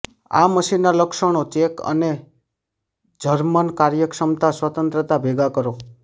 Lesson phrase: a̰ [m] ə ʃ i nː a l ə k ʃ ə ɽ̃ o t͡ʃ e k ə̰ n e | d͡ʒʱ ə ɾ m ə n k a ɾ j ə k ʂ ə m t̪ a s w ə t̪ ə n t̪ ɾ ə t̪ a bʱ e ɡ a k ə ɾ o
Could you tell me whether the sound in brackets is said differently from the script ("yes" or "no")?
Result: no